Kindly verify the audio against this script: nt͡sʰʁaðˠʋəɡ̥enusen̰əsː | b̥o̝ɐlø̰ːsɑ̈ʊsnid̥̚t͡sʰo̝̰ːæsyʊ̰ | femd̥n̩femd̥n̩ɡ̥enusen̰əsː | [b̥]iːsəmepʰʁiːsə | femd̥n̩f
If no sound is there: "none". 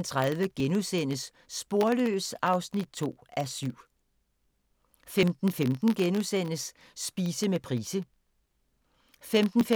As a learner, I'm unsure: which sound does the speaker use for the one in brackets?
b̥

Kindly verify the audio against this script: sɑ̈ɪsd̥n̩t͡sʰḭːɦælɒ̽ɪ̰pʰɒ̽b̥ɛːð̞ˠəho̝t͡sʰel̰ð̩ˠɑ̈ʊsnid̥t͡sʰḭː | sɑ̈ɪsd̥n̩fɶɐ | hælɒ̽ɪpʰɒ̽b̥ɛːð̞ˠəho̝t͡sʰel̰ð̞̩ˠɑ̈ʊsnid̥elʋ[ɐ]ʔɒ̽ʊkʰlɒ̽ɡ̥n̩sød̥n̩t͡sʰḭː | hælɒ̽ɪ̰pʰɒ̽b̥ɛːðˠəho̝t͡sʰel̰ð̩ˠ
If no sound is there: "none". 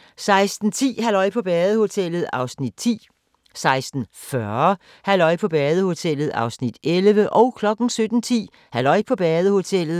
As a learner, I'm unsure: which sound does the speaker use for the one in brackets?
ə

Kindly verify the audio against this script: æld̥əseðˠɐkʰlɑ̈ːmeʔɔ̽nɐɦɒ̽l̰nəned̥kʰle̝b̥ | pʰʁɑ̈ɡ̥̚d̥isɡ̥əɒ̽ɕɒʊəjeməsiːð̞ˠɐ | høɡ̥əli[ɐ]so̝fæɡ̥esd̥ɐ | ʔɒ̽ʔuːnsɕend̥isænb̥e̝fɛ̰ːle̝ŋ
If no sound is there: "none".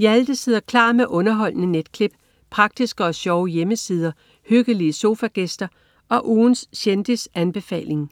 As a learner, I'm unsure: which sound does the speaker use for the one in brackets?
ə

